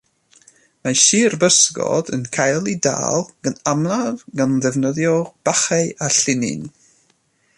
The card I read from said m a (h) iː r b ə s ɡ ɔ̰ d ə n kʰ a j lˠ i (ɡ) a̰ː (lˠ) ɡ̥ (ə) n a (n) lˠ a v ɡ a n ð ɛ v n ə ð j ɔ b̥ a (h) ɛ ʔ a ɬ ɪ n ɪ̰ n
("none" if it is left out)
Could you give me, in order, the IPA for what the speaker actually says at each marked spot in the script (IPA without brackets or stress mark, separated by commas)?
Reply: ʃ, d, lˠ, ə, m, χ